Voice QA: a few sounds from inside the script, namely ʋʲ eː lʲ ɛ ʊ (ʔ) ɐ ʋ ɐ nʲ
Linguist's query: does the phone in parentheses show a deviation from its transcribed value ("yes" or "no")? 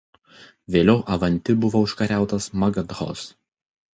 no